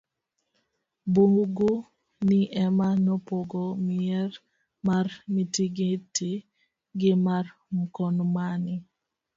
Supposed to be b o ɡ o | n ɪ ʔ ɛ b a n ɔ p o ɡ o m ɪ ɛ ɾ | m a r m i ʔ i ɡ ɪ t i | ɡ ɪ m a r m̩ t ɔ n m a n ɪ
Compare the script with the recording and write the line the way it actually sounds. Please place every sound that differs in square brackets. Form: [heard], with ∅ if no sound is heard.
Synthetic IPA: b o ɡ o | n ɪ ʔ ɛ [m] a n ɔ p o ɡ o m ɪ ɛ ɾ | m a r m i [t] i ɡ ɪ t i | ɡ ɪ m a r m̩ [k] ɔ n m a n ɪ